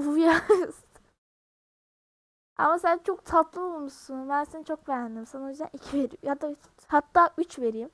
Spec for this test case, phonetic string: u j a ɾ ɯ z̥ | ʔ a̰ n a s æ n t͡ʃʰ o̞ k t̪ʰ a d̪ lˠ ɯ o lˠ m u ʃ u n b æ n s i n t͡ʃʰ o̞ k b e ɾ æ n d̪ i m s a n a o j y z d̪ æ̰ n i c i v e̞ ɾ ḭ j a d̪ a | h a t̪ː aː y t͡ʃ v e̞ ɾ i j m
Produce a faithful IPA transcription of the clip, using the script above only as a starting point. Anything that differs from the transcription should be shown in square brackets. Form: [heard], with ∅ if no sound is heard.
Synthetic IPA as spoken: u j a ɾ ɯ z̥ | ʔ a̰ [m] a s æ n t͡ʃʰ o̞ k t̪ʰ a [t̪] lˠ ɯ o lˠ m u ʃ u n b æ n s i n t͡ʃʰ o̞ k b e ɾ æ n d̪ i m s a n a o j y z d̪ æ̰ n i [cʰ] i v e̞ ɾ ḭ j a d̪ a | h a t̪ː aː y t͡ʃ v e̞ ɾ i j m

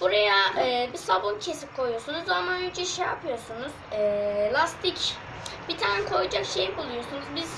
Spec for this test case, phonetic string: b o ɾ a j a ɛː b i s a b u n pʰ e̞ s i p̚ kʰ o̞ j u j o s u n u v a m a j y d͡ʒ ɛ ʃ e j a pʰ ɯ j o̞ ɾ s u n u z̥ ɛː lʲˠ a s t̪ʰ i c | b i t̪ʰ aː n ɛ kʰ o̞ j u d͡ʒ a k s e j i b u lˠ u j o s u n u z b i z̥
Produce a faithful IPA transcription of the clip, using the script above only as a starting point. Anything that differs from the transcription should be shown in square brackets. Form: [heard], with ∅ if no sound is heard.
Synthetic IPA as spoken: b [u] ɾ a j a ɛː b i s a b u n [cʰ] e̞ s i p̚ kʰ o̞ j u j o s u n u [z] a m a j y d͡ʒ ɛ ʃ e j a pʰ ɯ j o̞ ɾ s u n u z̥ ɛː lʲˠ a s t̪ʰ i c | b i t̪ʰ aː n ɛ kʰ o̞ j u d͡ʒ a k [ʃ] e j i b u lˠ u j o s u n u z b i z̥

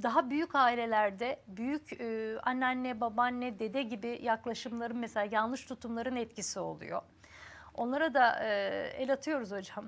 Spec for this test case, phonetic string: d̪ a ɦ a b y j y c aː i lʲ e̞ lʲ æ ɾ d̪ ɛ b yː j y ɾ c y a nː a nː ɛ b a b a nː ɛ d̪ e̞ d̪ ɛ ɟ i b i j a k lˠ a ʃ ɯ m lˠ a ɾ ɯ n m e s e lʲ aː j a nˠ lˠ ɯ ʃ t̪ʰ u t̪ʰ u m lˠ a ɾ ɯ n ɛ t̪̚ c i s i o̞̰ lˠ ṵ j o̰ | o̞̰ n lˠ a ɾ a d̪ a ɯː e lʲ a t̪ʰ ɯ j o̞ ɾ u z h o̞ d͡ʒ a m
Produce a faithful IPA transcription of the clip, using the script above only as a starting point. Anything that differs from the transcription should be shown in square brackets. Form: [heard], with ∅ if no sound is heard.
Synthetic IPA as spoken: d̪ a ɦ a b y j y c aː i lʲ e̞ lʲ æ ɾ d̪ ɛ b [y] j y [∅] c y a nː a nː ɛ b a b a nː ɛ d̪ e̞ d̪ ɛ ɟ i b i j a k lˠ a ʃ ɯ m lˠ a ɾ ɯ n m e s e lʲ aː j a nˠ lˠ ɯ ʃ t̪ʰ u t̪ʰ u m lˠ a ɾ ɯ n ɛ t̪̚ c i s i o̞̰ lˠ ṵ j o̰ | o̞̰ n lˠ a ɾ a d̪ a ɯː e lʲ a t̪ʰ ɯ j o̞ ɾ u z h o̞ d͡ʒ a m

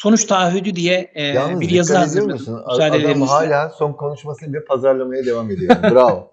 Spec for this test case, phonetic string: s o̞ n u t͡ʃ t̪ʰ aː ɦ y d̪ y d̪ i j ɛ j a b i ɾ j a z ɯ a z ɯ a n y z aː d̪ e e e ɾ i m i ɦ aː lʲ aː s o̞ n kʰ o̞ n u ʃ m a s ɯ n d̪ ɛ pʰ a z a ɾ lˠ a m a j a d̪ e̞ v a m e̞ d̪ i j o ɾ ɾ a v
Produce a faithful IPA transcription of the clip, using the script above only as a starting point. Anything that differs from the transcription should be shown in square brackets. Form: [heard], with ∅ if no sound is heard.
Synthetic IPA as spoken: s o̞ n u t͡ʃ t̪ʰ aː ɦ y d̪ y d̪ i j ɛ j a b i ɾ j a z ɯ a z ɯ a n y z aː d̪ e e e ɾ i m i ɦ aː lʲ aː s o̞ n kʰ o̞ n u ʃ m a s ɯ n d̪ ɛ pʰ a z a ɾ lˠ a m a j a d̪ e̞ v a m e̞ d̪ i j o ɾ ɾ a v

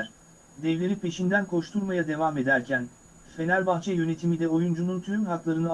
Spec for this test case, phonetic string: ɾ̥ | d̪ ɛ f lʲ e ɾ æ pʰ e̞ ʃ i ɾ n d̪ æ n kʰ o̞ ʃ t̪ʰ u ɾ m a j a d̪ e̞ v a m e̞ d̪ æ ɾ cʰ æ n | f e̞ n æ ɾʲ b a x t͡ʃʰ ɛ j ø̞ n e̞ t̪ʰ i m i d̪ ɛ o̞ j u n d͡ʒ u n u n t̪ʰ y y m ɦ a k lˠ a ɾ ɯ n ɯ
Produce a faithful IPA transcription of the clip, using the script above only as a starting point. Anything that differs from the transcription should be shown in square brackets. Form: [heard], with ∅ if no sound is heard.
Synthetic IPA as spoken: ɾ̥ | d̪ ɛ [v] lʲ e ɾ [i] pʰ e̞ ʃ i [∅] n d̪ æ n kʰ o̞ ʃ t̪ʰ u ɾ m a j a d̪ e̞ v a m e̞ d̪ æ ɾ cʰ æ n | f e̞ n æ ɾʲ b a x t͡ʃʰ ɛ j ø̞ n e̞ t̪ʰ i m i d̪ ɛ o̞ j u n d͡ʒ u n u n t̪ʰ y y m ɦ a k lˠ a ɾ ɯ n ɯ

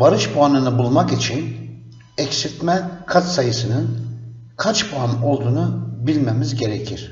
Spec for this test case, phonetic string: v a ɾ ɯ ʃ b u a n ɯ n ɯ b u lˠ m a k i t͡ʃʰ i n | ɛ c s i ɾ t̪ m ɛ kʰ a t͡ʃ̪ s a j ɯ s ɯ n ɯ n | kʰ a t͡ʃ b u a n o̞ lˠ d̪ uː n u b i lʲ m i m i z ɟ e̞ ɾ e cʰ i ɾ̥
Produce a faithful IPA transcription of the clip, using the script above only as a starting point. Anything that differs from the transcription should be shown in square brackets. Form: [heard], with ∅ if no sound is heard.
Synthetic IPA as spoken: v a ɾ ɯ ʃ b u a n ɯ n ɯ b u lˠ m a k i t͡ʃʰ i n | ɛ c s i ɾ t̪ m ɛ kʰ a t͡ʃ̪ s a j ɯ s ɯ n ɯ n | kʰ a t͡ʃ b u a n o̞ lˠ d̪ uː n u b i lʲ m [e] m i z ɟ e̞ ɾ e cʰ i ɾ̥

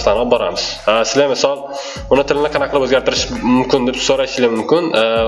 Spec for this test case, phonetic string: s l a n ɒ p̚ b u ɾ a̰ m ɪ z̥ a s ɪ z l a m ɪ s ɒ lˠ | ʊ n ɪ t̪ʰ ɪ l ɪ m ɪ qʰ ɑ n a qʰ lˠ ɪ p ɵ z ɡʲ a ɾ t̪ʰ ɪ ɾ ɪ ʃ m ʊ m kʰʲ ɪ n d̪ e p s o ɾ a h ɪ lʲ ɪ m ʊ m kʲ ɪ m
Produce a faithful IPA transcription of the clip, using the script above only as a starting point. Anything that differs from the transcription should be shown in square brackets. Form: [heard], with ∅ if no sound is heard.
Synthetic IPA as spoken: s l a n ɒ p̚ b [ɒ] ɾ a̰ m ɪ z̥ a s ɪ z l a m ɪ s ɒ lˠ | ʊ n ɪ t̪ʰ ɪ l ɪ [n] ɪ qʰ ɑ n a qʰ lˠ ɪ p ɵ z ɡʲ a ɾ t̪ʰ ɪ ɾ ɪ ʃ m ʊ m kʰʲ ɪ n d̪ e p s o ɾ a [ʃ] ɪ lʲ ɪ m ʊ m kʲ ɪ [n]

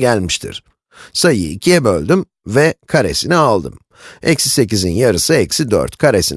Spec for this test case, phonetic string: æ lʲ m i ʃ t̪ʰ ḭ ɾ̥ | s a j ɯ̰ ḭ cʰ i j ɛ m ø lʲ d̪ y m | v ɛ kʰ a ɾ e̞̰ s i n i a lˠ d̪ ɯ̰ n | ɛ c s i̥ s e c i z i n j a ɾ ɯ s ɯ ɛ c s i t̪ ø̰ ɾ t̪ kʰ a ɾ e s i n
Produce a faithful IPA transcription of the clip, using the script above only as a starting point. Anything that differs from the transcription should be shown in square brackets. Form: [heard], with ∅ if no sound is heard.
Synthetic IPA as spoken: æ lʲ m i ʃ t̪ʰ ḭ ɾ̥ | s a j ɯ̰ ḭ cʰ i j ɛ [b] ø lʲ d̪ y m | v ɛ kʰ a ɾ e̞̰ s i n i a lˠ d̪ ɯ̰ [m] | ɛ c s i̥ s e c i z i n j a ɾ ɯ s ɯ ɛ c s i [d̪] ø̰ ɾ t̪ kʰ a ɾ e s i n

